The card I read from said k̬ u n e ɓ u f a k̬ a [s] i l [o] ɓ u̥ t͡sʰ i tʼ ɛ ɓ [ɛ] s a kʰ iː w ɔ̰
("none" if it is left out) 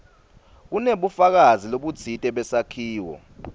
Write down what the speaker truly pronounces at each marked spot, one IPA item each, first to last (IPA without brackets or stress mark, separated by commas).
z, o, ɛ